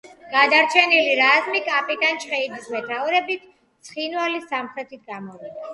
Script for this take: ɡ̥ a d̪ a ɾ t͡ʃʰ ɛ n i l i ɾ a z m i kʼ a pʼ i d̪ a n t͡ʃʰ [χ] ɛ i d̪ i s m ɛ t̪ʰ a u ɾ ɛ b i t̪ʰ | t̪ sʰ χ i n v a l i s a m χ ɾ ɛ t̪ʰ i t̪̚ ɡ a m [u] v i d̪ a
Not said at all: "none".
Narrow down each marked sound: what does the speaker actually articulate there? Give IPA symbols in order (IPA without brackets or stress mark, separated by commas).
χ, ɔ